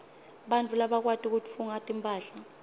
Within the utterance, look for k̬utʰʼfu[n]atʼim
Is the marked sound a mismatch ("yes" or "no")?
yes